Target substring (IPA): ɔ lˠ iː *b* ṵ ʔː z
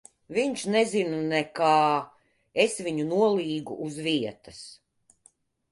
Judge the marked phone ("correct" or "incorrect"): incorrect